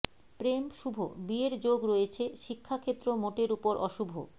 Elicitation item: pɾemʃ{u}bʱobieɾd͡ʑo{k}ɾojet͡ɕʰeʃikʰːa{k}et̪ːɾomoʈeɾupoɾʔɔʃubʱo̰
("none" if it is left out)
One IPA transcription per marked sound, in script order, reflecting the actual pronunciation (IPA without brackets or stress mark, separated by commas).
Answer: u, ɡ, kʰ